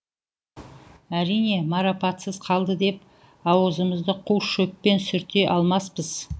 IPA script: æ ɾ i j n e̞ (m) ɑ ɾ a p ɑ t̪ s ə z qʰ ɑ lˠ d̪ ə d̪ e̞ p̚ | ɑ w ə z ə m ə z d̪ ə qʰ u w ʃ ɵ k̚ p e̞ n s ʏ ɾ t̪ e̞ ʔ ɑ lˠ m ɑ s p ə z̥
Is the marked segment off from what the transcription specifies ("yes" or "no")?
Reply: no